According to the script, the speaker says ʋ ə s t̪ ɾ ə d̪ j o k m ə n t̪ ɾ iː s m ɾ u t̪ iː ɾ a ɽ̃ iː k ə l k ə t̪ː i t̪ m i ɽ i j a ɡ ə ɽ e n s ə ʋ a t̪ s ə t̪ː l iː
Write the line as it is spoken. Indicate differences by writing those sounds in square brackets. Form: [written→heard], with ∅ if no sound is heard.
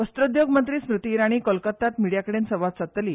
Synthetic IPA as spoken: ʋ ə s t̪ ɾ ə d̪ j o [k→ɡ] m ə n t̪ ɾ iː s m ɾ u t̪ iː ɾ a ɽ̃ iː k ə l k ə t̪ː [i→a] t̪ m i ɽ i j a [ɡ→k] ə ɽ e n s ə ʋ a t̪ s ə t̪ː l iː